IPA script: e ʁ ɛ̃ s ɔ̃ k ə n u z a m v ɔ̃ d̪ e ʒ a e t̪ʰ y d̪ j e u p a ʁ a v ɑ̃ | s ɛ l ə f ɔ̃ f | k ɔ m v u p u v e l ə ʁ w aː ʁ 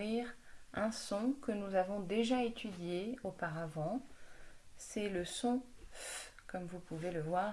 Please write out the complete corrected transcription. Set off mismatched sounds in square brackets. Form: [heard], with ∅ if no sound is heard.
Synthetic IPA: [i] ʁ ɛ̃ s ɔ̃ k ə n u z a [∅] v ɔ̃ d̪ e ʒ a e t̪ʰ y d̪ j e [o] p a ʁ a v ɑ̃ | s ɛ l ə [s] ɔ̃ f | k ɔ m v u p u v e l ə [v] w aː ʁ